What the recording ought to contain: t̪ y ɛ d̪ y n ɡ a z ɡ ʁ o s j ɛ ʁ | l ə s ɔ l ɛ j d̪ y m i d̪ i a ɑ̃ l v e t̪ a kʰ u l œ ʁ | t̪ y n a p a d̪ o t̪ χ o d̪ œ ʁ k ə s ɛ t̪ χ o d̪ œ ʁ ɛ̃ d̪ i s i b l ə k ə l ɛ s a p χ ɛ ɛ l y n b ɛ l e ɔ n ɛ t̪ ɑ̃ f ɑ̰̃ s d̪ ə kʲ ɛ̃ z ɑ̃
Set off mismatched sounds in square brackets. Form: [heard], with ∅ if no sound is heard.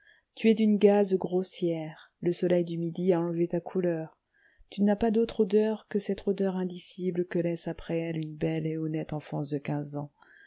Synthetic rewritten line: t̪ y ɛ d̪ y n ɡ a z ɡ ʁ o s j ɛ ʁ | l ə s ɔ l ɛ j d̪ y m i d̪ i a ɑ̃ l v e t̪ a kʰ u l œ ʁ | t̪ y n a p a d̪ o t̪ χ o d̪ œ ʁ k ə s ɛ t̪ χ o d̪ œ ʁ ɛ̃ d̪ i s i b l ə k ə l ɛ s a p χ ɛ ɛ l y n b ɛ l e ɔ n ɛ t̪ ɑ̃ f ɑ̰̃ s d̪ ə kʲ ɛ̃ z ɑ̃